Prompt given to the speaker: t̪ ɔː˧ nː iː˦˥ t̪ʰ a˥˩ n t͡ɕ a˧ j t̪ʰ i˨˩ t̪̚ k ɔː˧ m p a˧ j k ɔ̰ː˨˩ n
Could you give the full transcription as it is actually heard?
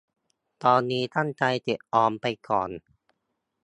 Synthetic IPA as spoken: t̪ ɔː˧ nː iː˦˥ t̪ʰ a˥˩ n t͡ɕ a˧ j t̪ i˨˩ t̪̚ ʔ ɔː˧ m p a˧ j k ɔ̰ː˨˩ n

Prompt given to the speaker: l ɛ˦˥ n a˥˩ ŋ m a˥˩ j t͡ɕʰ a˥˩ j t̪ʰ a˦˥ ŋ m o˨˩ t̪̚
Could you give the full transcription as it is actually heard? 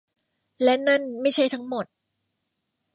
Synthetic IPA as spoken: l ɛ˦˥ n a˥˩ n m a˥˩ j t͡ɕʰ a˥˩ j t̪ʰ a˦˥ ŋ m o˨˩ t̪̚

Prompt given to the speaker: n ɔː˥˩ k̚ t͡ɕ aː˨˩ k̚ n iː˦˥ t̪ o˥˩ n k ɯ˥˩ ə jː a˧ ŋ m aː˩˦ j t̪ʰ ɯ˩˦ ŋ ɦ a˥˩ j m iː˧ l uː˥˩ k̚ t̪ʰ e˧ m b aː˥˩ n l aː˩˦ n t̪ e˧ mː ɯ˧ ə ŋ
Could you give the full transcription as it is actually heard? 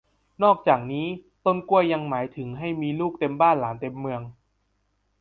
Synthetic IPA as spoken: n ɔː˥˩ k̚ t͡ɕ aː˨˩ k̚ n iː˦˥ t̪ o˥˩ n k u˥˩ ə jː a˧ ŋ m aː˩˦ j t̪ʰ ɯ˩˦ ŋ ɦ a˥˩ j m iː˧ l uː˥˩ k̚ t̪ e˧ m b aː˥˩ n l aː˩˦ n t̪ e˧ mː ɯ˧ ə ŋ

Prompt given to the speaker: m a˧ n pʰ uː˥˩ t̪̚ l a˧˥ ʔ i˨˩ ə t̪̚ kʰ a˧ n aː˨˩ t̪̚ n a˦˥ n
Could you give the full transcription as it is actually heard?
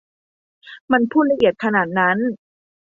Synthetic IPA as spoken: m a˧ n pʰ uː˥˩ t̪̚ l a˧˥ ʔ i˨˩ ə t̪̚ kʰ a˧ n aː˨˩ t̪̚ n a˦˥ n

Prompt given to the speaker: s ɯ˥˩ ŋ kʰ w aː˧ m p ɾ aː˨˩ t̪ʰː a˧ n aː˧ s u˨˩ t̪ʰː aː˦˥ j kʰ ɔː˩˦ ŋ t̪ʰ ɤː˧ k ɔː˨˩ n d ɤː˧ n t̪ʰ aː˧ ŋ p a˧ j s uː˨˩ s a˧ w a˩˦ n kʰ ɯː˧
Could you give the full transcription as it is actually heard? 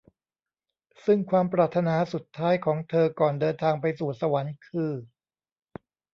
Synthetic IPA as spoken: s ɯ˥˩ ŋ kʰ w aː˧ m p ɾ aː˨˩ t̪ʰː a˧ n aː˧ s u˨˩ t̪ʰː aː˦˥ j kʰ ɔː˩˦ ŋ t̪ʰ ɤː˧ k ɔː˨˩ n d ɤː˧ n t̪ʰ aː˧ ŋ p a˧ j s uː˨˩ s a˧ w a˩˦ n kʰ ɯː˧

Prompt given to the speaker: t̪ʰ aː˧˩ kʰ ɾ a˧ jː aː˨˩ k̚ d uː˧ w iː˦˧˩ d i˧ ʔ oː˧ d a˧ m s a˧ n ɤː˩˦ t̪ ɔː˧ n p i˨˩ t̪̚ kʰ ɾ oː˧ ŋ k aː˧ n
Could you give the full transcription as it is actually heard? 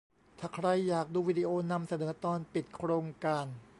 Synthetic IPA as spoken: t̪ʰ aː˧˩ kʰ ɾ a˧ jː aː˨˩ k̚ d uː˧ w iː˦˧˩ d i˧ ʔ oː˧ n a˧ m s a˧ n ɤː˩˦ t̪ ɔː˧ n p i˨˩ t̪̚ kʰ ɾ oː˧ ŋ k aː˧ n

